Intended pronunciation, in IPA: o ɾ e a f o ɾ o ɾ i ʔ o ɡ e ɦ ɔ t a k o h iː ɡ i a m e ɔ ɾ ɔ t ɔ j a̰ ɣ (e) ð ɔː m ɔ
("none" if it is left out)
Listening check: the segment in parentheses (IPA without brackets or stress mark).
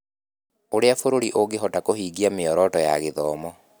e